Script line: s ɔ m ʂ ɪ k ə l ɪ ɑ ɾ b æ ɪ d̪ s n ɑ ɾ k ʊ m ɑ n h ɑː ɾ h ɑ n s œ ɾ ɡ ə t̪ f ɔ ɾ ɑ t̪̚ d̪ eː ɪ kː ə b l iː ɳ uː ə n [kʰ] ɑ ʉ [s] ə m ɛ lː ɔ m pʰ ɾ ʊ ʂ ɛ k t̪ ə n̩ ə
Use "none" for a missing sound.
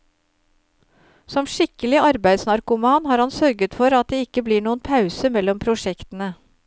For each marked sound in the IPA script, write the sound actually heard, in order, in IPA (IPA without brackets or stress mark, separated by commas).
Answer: pʰ, s